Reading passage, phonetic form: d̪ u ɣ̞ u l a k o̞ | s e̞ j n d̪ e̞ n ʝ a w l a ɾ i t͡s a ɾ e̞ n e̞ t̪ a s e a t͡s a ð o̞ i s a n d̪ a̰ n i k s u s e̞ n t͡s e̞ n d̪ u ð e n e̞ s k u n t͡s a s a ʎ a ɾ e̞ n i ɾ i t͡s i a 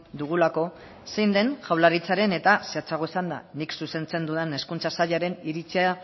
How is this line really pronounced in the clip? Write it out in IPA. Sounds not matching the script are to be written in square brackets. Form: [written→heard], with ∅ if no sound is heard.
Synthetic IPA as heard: d̪ u ɣ̞ u l a k o̞ | s e̞ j n d̪ e̞ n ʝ a w l a ɾ i t͡s a ɾ e̞ n e̞ t̪ a s e a t͡s a [ð→ɣ] o̞ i s a n d̪ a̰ n i k s u s e̞ n t͡s e̞ n d̪ u ð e n e̞ s k u n t͡s a s a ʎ a ɾ e̞ n i ɾ i t͡s i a